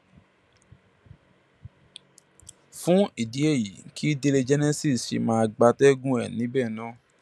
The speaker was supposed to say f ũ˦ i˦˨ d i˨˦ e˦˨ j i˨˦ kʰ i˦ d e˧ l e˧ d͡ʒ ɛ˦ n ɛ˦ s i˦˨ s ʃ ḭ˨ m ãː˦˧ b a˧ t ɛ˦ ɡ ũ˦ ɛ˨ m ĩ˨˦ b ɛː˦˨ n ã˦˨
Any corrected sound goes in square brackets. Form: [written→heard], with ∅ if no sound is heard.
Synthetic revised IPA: f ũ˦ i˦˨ d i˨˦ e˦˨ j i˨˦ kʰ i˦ d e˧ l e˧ d͡ʒ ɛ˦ n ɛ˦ s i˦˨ s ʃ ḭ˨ m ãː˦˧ [b→ɡ͡b] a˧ t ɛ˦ ɡ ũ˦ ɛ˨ [m→n] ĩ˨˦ b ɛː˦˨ n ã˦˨